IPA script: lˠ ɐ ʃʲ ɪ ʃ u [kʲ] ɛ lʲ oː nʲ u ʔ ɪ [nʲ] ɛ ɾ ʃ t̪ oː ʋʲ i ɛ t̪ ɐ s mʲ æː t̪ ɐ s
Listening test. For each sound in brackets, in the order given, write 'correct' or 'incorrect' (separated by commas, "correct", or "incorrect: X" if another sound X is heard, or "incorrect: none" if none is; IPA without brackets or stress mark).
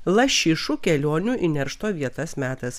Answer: correct, correct